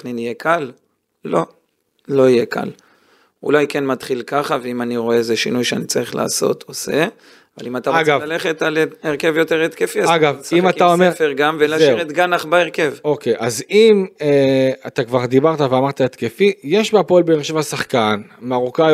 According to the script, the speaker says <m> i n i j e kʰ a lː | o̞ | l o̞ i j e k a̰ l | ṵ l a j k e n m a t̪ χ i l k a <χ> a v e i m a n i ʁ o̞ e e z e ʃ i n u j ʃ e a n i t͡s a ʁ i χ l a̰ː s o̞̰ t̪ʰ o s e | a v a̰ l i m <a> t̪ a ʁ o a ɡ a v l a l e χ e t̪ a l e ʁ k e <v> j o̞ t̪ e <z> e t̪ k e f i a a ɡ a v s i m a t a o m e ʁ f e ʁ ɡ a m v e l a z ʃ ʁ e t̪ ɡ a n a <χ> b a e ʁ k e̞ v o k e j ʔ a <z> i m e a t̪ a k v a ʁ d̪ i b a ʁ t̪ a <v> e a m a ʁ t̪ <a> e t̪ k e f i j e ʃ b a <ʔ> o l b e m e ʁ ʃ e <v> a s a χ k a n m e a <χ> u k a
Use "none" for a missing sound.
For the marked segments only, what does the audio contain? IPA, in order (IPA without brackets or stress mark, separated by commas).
n, χ, a, v, ʁ, χ, z, v, a, p, v, ʁ